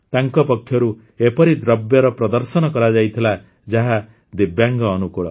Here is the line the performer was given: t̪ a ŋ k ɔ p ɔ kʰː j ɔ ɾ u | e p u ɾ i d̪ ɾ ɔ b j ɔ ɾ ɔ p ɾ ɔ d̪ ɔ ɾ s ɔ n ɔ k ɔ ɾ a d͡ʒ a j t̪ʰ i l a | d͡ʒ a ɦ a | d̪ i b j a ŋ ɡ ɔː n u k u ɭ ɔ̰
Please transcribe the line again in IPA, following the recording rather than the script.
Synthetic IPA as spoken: t̪ a ŋ k ɔ p ɔ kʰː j ɔ ɾ u | e p ɔ ɾ i d̪ ɾ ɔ b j ɔ ɾ ɔ p ɾ ɔ d̪ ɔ ɾ s ɔ n ɔ k ɔ ɾ a d͡ʒ a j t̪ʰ i l a | d͡ʒ a ɦ a | d̪ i b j a ŋ ɡ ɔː n u k u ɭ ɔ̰